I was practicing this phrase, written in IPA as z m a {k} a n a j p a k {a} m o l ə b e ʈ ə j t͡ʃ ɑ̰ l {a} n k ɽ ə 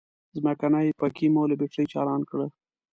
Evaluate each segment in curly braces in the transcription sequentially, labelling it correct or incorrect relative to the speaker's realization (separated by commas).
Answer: correct, incorrect, incorrect